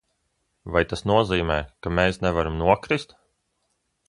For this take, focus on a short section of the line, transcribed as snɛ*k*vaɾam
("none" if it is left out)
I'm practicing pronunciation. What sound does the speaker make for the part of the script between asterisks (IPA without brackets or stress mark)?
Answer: none